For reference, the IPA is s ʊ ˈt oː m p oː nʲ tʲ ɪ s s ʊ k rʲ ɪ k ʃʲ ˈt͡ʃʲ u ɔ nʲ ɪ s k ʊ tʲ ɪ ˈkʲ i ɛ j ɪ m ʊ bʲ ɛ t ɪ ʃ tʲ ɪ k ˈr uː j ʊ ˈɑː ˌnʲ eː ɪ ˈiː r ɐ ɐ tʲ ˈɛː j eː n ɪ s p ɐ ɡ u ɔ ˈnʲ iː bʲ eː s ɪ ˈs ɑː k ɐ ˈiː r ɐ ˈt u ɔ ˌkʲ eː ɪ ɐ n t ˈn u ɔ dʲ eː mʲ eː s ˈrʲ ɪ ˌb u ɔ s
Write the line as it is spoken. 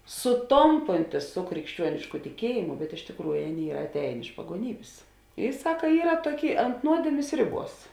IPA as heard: s ʊ ˈt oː m p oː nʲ tʲ ɪ s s ʊ k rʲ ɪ k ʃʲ ˈt͡ʃʲ u ɔ nʲ ɪ ʃ k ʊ tʲ ɪ ˈkʲ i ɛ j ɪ m ʊ bʲ ɛ t ɪ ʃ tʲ ɪ k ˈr uː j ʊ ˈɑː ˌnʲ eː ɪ ˈiː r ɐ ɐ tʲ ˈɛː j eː n ɪ ʃ p ɐ ɡ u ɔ ˈnʲ iː bʲ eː s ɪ ˈs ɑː k ɐ ˈiː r ɐ ˈt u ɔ ˌkʲ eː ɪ ɐ n t ˈn u ɔ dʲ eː mʲ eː s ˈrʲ ɪ ˌb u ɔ s

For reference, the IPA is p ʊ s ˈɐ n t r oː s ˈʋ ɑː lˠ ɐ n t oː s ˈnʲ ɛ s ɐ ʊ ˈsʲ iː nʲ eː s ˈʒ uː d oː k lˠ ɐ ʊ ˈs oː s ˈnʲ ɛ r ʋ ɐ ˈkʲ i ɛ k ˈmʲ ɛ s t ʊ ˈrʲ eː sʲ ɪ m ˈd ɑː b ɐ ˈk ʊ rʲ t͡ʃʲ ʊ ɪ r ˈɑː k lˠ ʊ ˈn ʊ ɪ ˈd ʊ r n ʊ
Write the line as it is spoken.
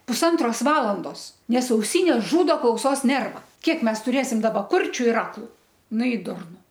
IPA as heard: p ʊ s ˈɐ n t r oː s ˈʋ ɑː lˠ ɐ n d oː s ˈnʲ ɛ s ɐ ʊ ˈsʲ iː nʲ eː s ˈʒ uː d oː k lˠ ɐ ʊ ˈs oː s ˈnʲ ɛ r ʋ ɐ ˈkʲ i ɛ k ˈmʲ ɛ s t ʊ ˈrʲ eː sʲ ɪ m ˈd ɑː b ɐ ˈk ʊ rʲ t͡ʃʲ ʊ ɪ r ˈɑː k lˠ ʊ ˈn ʊ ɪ ˈd ʊ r n ʊ

